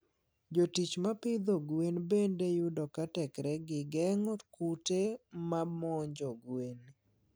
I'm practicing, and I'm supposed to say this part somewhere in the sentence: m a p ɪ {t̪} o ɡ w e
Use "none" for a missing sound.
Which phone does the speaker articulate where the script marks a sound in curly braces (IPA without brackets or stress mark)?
d̪